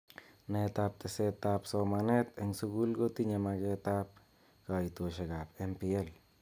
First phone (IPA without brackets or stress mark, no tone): n